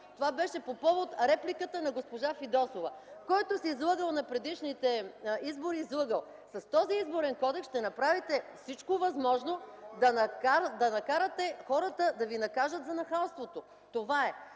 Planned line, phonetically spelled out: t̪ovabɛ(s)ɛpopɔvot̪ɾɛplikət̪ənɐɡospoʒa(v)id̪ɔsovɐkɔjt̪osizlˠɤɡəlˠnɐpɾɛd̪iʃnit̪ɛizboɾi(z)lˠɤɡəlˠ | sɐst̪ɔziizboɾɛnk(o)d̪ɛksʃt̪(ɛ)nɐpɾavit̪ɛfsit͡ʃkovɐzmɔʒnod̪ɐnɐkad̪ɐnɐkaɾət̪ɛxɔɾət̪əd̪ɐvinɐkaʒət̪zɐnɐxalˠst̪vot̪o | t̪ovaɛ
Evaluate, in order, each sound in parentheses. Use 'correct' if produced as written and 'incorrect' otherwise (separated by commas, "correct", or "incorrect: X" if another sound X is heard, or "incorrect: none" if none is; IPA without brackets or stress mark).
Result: incorrect: ʃ, incorrect: f, correct, incorrect: ɔ, correct